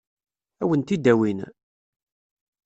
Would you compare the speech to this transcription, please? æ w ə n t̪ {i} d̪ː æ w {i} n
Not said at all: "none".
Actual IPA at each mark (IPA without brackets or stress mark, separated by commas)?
i, i